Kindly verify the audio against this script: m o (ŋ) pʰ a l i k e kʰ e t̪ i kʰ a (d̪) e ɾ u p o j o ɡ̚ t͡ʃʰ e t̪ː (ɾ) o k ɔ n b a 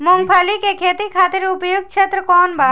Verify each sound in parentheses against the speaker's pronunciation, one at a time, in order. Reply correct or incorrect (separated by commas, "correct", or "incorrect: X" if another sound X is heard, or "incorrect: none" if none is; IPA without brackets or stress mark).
correct, incorrect: t̪, correct